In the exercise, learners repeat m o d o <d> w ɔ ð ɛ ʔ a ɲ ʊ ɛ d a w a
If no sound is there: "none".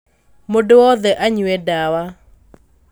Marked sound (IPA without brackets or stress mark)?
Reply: none